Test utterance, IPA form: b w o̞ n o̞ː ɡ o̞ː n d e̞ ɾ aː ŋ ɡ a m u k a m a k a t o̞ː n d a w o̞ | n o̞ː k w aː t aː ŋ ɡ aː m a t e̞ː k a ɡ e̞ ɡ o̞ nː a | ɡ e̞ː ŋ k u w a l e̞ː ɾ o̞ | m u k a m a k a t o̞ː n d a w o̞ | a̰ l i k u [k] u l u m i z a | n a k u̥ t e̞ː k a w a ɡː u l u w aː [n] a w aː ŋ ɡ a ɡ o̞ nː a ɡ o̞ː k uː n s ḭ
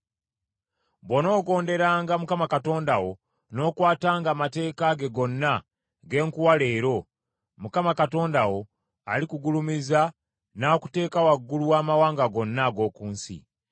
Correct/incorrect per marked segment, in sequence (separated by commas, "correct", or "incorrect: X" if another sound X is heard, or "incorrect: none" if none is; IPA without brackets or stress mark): incorrect: ɡ, incorrect: m